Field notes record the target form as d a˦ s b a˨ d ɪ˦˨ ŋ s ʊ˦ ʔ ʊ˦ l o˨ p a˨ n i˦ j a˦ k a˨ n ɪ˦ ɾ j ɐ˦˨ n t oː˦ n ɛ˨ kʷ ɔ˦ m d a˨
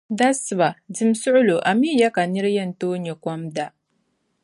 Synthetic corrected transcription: d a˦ s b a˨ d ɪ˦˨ m s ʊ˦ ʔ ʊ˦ l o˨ ʔ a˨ m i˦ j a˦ k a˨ n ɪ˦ ɾ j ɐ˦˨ n t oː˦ ɲ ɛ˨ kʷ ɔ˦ m d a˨